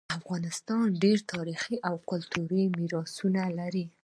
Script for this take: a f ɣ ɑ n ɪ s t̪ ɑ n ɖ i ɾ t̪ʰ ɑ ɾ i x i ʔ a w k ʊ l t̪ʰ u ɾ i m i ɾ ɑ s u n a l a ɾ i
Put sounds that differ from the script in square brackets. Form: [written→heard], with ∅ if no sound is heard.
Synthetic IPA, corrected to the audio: a f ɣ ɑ n ɪ s t̪ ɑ n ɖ [i→e] ɾ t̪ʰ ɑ ɾ i x i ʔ a w k ʊ l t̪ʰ u ɾ i m i ɾ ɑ s u n a l a ɾ i